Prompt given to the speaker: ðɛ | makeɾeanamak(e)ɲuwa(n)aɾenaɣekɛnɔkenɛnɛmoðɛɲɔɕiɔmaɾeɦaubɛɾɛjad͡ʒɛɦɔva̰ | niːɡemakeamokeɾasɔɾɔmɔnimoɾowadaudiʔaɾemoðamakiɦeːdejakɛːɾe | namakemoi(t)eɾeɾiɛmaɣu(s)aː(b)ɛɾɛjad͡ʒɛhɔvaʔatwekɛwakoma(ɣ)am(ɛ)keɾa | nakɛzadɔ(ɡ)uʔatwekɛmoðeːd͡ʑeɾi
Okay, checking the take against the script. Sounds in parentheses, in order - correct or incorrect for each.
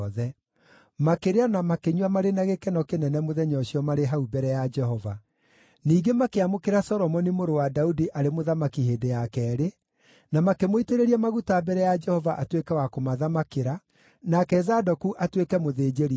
correct, incorrect, correct, incorrect, correct, incorrect, incorrect, incorrect

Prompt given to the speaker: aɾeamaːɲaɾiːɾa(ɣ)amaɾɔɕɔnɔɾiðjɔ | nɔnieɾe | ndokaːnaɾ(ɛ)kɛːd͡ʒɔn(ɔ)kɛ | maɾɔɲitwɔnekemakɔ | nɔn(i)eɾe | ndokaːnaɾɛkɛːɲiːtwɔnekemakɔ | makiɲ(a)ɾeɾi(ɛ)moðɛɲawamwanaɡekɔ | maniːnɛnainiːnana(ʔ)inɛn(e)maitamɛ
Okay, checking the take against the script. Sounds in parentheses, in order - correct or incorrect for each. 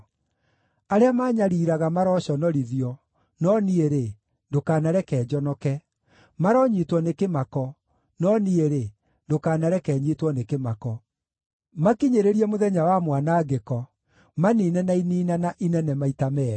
correct, correct, correct, correct, incorrect, correct, correct, incorrect

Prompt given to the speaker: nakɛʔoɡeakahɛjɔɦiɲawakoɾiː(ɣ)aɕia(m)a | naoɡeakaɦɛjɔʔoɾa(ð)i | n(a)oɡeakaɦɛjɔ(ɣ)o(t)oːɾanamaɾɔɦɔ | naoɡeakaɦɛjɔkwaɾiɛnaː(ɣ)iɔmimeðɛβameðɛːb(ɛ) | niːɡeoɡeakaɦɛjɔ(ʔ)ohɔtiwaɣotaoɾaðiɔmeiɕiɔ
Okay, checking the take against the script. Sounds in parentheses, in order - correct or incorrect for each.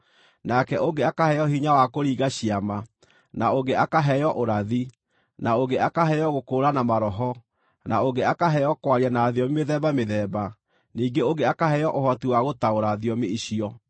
correct, correct, correct, correct, correct, incorrect, incorrect, incorrect, correct

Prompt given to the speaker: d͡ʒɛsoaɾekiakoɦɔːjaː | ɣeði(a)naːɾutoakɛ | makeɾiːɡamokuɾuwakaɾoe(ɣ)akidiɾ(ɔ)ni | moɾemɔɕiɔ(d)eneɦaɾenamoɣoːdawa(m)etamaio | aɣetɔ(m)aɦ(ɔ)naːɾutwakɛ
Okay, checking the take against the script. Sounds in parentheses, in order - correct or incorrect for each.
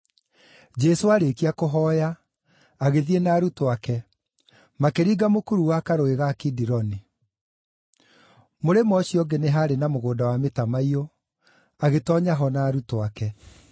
incorrect, correct, correct, incorrect, correct, incorrect, correct

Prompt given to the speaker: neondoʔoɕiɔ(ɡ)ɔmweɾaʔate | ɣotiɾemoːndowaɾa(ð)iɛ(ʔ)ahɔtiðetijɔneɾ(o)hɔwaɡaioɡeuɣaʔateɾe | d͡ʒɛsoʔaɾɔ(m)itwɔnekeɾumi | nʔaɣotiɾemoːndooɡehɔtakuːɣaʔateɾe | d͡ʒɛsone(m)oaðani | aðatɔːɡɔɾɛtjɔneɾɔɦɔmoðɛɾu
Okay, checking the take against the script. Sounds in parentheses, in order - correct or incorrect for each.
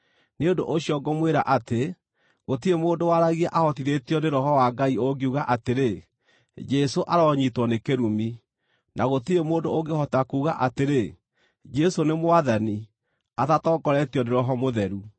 correct, incorrect, correct, incorrect, incorrect, correct

